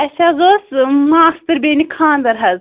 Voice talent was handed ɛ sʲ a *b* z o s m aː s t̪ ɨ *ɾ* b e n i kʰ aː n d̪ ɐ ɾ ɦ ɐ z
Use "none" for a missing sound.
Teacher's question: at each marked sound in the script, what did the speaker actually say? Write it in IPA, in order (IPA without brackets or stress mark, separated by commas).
none, ɾ